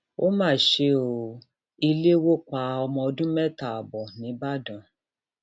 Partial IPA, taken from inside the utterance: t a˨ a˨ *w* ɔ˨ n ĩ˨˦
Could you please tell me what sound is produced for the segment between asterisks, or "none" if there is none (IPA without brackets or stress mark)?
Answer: b